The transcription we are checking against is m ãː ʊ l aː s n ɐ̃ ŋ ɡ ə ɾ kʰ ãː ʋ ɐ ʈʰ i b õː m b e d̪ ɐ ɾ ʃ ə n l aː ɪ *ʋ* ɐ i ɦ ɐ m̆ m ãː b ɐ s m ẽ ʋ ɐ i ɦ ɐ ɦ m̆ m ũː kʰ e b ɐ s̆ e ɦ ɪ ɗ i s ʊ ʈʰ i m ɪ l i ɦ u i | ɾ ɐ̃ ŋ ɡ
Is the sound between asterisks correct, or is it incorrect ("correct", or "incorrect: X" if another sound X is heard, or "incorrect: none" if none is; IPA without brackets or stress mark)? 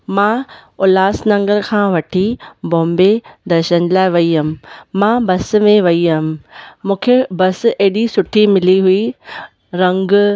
correct